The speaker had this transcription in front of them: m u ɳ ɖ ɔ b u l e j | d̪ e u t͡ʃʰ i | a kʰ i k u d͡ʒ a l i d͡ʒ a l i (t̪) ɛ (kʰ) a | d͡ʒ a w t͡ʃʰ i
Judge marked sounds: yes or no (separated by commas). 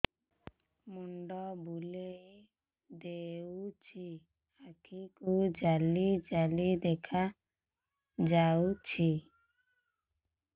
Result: no, yes